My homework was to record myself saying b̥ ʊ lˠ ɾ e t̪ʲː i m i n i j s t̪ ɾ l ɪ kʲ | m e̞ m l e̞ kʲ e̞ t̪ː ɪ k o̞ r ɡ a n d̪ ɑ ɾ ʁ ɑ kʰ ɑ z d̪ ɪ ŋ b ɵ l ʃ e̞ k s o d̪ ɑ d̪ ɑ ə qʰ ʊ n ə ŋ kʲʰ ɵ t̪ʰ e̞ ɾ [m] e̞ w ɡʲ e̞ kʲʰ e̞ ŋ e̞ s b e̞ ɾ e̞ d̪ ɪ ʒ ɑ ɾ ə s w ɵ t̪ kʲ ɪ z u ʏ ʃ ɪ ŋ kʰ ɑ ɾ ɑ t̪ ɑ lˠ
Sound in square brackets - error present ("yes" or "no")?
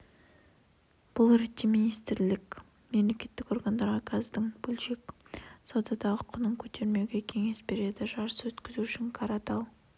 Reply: no